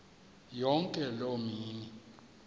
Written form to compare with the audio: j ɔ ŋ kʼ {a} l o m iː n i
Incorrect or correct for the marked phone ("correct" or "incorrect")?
incorrect